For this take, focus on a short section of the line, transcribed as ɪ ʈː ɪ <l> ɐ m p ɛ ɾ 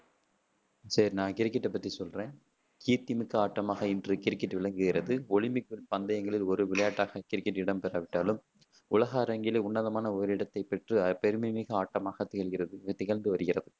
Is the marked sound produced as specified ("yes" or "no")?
no